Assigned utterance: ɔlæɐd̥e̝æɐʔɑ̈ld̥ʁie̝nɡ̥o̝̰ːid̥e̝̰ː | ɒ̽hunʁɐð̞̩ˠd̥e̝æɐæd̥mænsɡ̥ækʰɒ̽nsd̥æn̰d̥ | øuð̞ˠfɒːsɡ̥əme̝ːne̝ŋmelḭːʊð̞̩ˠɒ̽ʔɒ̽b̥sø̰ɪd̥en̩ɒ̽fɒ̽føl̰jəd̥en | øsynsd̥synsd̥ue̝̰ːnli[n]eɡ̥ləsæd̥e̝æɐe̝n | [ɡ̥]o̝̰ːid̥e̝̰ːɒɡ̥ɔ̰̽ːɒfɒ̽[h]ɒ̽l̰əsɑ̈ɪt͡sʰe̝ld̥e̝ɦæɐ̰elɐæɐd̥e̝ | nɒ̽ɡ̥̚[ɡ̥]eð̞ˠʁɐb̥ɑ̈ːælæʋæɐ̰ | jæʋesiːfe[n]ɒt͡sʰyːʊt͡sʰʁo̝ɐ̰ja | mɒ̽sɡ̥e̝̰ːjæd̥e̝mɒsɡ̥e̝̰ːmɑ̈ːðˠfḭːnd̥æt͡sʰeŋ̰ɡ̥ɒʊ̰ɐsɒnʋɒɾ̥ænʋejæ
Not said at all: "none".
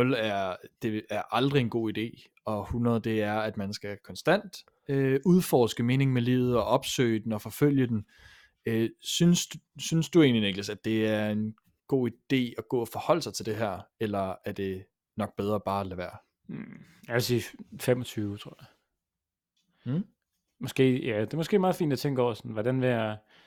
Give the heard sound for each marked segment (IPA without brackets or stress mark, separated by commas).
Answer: n, ɡ̥, h, b̥, m